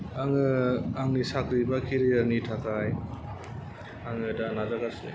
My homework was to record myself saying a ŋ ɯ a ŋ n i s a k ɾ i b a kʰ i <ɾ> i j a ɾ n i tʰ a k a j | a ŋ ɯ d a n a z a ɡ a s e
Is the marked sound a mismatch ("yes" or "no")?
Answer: no